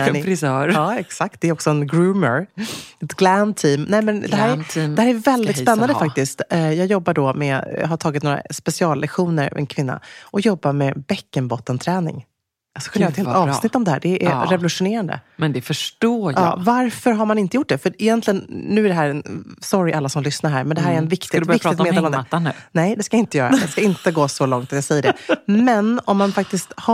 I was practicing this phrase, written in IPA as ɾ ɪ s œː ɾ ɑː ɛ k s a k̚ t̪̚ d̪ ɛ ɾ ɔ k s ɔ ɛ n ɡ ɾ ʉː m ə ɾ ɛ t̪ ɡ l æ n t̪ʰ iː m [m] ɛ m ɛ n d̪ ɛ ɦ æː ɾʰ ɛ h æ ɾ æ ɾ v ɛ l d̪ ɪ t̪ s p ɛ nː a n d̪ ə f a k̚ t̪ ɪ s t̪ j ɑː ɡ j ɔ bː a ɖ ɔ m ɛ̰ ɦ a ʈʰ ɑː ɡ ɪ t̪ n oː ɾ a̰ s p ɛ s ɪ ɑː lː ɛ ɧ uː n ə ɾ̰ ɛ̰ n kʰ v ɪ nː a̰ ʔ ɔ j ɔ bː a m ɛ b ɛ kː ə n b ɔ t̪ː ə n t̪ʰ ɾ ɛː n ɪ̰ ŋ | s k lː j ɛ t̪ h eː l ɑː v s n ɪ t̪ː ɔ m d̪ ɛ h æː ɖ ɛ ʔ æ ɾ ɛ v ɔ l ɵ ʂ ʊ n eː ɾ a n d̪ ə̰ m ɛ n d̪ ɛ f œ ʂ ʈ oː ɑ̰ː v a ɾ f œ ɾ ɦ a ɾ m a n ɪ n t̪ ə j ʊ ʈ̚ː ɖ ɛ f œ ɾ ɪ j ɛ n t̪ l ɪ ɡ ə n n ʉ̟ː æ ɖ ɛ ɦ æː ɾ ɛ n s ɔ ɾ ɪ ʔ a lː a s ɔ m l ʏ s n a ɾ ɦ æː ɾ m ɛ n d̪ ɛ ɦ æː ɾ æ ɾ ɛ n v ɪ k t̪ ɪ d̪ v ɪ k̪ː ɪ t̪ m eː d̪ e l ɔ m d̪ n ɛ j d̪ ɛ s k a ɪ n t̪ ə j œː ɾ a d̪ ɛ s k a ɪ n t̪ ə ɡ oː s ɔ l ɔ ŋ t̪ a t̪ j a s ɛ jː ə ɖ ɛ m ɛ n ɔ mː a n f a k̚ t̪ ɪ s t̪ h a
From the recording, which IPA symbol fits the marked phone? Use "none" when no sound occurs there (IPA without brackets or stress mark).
n